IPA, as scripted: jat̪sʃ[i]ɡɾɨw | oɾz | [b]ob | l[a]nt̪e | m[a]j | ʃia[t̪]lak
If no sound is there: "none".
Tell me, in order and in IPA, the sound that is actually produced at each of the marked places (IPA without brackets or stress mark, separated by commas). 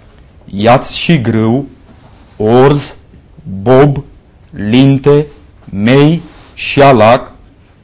i, b, i, e, none